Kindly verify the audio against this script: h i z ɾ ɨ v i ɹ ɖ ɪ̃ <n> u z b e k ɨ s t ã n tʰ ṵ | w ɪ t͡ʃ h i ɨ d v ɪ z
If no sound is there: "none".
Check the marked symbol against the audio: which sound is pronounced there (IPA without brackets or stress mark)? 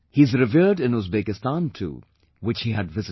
n